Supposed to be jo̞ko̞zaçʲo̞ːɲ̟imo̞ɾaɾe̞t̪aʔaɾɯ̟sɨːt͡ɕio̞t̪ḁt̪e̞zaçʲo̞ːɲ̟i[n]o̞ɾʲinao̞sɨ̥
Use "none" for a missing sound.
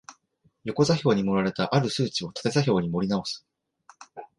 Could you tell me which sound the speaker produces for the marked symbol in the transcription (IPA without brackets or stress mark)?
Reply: m